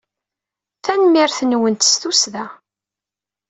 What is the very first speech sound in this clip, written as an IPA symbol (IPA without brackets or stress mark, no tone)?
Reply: θ